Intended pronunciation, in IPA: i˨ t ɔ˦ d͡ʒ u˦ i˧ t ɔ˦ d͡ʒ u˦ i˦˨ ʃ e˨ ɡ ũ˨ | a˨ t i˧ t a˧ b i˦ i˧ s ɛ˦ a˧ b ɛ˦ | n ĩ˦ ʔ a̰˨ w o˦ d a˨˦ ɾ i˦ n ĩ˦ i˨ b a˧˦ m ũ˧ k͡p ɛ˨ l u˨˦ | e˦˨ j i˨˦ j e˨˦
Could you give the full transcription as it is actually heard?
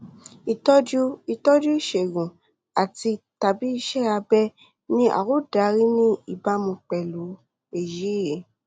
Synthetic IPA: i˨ t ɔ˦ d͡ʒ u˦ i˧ t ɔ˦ d͡ʒ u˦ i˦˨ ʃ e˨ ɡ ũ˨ | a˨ t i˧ t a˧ b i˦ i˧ ʃ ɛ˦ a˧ b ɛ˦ | n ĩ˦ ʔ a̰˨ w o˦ d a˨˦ ɾ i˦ n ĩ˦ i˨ b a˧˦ m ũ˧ k͡p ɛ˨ l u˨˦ | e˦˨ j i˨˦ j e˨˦